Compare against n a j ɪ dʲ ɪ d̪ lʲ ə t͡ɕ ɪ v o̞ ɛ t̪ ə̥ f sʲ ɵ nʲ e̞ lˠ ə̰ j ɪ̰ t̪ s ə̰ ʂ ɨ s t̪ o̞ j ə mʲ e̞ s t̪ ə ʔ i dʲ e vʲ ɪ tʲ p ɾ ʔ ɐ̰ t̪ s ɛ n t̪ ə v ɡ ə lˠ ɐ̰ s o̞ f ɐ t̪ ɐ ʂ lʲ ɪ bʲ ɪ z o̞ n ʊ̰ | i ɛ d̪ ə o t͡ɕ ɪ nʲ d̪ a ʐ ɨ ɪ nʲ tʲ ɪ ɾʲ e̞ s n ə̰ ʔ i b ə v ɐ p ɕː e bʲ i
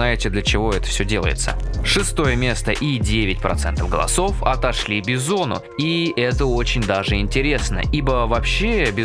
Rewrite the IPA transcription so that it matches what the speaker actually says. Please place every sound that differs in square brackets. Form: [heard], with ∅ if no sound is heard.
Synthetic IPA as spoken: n a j ɪ [tʲ] ɪ d̪ lʲ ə t͡ɕ ɪ v o̞ ɛ t̪ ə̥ f sʲ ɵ [dʲ] e̞ lˠ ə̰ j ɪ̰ t̪ s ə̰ ʂ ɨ s t̪ o̞ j ə mʲ e̞ s t̪ ə ʔ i dʲ e vʲ ɪ tʲ p ɾ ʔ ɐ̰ t̪ s ɛ n t̪ ə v ɡ ə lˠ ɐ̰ s o̞ f ɐ t̪ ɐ ʂ lʲ [i] bʲ ɪ z o̞ n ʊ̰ | i ɛ [t̪] ə o t͡ɕ ɪ nʲ d̪ a ʐ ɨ ɪ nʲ tʲ ɪ ɾʲ e̞ s n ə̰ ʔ i b ə v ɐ p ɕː e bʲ [ɪ]